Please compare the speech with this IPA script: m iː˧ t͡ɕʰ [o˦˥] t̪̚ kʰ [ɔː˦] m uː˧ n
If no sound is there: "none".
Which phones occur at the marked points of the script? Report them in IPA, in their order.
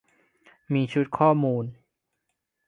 u˦˥, ɔː˥˩

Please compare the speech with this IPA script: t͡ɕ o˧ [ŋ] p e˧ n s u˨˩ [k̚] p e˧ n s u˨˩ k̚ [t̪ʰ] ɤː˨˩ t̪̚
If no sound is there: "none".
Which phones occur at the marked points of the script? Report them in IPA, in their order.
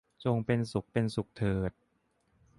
ŋ, k̚, t̪ʰ

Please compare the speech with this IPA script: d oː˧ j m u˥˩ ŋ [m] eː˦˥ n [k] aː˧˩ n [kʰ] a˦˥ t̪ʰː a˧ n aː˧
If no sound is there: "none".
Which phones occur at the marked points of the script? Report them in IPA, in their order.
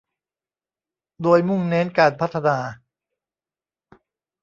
n, k, pʰ

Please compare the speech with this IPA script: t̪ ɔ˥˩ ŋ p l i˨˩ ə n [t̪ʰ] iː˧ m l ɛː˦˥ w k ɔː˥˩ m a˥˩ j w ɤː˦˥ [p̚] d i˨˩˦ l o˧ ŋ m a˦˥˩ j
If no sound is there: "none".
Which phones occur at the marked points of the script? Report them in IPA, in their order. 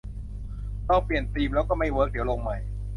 t̪, k̚

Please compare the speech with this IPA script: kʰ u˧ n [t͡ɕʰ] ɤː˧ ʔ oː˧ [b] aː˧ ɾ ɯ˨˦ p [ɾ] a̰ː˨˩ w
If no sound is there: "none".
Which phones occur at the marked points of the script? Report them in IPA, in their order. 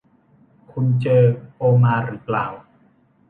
t͡ɕ, m, l

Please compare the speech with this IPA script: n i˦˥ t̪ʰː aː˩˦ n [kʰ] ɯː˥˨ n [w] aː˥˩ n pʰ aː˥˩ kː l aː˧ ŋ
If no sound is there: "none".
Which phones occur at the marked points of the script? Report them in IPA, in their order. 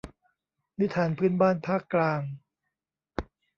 pʰ, b

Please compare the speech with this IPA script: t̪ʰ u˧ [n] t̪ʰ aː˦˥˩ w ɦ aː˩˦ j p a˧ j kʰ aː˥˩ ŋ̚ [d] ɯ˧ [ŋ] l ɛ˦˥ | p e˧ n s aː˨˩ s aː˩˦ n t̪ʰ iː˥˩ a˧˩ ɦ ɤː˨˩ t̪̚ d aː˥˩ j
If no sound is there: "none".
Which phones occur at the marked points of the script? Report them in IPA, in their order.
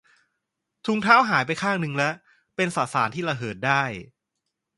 ŋ, n, ŋ

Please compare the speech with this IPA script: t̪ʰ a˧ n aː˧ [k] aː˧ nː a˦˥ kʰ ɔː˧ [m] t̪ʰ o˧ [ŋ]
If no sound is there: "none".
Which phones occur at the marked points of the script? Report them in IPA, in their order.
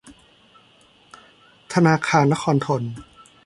kʰ, n, n

